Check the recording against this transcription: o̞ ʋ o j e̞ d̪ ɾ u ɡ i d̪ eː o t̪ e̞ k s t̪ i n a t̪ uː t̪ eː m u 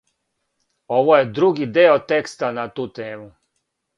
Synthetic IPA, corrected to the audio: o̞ ʋ o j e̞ d̪ ɾ u ɡ i d̪ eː o t̪ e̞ k s t̪ a n a t̪ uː t̪ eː m u